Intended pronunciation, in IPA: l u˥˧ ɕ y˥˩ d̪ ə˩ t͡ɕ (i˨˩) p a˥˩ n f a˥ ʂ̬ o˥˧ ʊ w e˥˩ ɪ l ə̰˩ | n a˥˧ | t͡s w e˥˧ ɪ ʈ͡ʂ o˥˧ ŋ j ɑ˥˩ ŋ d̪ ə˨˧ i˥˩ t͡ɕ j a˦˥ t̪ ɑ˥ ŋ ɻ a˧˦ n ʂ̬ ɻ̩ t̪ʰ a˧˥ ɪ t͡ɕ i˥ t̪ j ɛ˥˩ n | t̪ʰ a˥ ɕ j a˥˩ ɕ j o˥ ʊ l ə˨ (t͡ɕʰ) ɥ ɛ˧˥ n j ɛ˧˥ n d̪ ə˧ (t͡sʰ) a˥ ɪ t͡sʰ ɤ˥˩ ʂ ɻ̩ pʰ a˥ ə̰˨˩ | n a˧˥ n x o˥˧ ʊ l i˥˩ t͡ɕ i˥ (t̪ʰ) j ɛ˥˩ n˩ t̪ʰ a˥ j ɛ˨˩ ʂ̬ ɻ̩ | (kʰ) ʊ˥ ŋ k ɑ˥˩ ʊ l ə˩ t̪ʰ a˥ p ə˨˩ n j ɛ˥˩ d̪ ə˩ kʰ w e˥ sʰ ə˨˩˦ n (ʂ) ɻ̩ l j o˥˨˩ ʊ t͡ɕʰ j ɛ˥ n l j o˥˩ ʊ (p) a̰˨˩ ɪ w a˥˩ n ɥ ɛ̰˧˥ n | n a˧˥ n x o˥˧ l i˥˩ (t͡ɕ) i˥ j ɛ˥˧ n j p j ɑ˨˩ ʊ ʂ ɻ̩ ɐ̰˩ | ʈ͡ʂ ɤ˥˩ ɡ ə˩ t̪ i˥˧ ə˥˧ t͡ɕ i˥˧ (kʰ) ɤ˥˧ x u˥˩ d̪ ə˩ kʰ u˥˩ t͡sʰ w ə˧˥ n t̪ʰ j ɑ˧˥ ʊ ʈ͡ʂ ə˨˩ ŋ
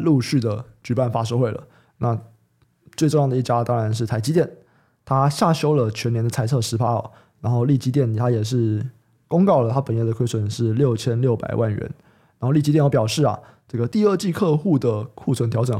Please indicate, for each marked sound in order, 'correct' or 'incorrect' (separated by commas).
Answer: incorrect, correct, correct, incorrect, incorrect, correct, correct, correct, correct